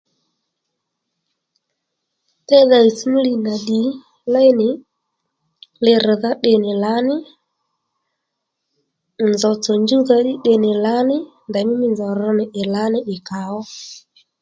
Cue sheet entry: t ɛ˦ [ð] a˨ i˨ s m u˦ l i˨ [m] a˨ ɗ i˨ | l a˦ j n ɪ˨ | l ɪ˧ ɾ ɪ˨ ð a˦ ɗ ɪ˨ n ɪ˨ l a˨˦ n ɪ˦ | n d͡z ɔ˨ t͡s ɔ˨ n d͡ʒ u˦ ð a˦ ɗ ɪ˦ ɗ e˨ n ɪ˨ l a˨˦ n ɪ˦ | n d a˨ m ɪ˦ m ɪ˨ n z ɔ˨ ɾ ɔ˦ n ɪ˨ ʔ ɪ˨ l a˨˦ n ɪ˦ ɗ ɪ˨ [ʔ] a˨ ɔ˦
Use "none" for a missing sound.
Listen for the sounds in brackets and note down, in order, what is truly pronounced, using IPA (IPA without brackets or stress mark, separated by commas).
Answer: ð, n, k